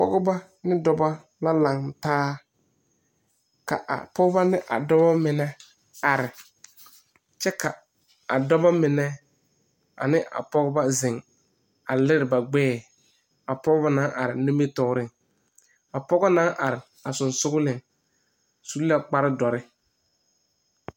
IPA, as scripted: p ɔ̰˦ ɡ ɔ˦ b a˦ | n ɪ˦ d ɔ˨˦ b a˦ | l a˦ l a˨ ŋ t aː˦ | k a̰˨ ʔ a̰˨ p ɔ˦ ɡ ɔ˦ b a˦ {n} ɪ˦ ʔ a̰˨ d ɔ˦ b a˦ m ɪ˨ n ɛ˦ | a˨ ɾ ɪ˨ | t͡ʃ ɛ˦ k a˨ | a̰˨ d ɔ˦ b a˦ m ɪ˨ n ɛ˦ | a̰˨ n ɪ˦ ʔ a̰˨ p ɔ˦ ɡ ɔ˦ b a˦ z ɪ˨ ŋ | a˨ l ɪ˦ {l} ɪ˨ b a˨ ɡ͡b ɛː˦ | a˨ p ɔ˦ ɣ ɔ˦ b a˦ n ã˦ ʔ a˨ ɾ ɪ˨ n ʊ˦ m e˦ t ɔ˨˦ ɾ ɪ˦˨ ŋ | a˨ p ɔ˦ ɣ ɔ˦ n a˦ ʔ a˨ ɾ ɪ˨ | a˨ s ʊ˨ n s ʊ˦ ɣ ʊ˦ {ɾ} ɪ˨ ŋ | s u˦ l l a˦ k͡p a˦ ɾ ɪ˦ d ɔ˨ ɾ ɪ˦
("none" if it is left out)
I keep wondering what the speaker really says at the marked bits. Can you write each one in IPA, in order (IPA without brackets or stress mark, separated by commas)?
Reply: n, ɾ, l